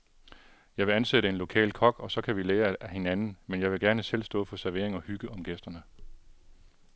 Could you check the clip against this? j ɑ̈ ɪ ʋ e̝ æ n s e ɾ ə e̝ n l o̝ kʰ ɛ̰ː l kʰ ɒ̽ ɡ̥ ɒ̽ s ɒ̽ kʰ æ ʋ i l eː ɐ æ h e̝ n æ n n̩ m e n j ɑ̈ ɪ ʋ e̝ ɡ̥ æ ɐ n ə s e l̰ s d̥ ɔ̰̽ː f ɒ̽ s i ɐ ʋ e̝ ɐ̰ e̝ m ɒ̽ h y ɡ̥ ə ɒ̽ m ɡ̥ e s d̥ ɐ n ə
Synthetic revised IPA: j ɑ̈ ɪ ʋ e̝ æ n s e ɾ ə e̝ n l o̝ kʰ ɛ̰ː l kʰ ɒ̽ ɡ̥ ɒ̽ s ɒ̽ kʰ æ ʋ i l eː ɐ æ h e̝ n æ n n̩ m e n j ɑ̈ ɪ ʋ e̝ ɡ̥ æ ɐ n ə s e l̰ s d̥ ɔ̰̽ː f ɒ̽ s æ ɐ ʋ e̝ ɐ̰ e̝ ŋ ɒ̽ h y ɡ̥ ə ɒ̽ m ɡ̥ e s d̥ ɐ n ə